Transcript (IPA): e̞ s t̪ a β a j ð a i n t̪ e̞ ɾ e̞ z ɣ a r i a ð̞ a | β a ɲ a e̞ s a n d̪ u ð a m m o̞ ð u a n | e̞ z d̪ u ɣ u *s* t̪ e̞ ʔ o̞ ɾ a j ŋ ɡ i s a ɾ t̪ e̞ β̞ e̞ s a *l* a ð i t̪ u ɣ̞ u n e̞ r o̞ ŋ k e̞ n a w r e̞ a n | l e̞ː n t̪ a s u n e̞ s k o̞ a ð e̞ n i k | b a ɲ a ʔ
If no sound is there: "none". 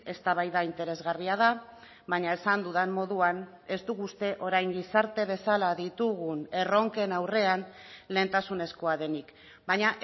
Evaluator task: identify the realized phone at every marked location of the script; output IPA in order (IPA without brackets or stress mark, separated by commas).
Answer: s, l